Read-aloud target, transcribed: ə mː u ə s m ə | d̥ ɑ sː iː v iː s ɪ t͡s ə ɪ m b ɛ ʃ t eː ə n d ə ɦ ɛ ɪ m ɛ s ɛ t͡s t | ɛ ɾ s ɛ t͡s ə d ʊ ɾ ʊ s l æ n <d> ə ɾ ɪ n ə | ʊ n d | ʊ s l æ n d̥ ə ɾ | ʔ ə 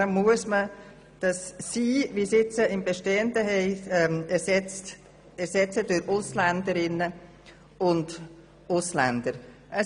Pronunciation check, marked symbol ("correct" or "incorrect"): correct